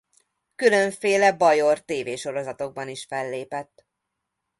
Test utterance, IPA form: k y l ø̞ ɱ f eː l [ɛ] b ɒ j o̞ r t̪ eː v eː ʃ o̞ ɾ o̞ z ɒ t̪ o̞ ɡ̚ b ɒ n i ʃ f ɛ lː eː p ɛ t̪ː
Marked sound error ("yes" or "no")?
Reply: no